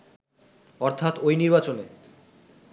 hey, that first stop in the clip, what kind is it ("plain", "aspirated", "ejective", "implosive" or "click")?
aspirated